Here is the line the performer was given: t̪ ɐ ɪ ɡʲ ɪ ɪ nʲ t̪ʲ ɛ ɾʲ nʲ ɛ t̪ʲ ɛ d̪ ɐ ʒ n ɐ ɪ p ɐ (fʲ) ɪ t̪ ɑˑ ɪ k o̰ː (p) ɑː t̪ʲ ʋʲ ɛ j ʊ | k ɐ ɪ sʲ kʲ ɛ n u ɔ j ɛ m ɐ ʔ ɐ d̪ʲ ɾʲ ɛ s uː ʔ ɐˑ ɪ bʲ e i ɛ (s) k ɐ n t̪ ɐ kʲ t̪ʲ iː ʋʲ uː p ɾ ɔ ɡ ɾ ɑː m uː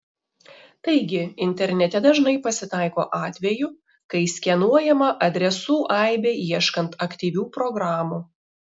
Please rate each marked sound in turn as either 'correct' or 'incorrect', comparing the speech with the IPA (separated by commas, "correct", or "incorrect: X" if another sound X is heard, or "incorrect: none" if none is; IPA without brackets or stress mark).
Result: incorrect: sʲ, incorrect: ʔ, incorrect: ʃ